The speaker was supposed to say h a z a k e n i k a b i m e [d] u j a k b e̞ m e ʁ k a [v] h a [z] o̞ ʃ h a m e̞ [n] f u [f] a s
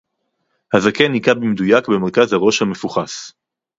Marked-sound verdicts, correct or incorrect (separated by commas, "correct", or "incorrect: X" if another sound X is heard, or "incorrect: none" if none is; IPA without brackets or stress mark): correct, incorrect: z, incorrect: ʁ, incorrect: none, incorrect: χ